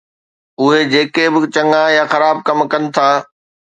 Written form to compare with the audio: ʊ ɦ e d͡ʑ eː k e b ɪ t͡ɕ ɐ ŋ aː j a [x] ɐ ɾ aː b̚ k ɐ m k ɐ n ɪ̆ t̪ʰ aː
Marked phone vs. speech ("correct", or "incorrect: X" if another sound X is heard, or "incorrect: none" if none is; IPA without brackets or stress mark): correct